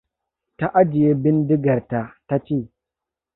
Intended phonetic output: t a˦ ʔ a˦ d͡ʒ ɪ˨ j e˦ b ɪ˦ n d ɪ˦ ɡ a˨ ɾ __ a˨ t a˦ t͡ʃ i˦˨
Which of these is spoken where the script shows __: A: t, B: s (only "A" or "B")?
A